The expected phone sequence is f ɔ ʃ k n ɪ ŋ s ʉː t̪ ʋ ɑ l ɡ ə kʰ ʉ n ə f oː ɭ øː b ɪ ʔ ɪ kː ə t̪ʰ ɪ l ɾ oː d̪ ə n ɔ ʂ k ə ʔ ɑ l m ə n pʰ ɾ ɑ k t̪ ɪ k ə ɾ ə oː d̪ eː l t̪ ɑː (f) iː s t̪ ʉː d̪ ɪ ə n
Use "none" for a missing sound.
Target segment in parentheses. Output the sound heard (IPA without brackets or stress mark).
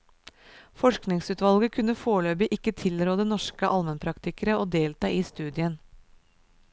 none